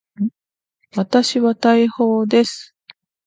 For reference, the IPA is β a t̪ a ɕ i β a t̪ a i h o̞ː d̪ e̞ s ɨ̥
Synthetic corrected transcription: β a t̪ a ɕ i β a t̪ a i h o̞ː d̪ e̞ s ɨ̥

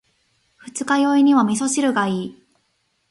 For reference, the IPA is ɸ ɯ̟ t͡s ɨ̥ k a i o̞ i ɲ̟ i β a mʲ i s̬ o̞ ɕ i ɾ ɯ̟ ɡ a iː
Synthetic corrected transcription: ɸ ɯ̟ t͡s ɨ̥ k a j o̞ i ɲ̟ i β a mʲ i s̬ o̞ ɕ i ɾ ɯ̟ ɡ a iː

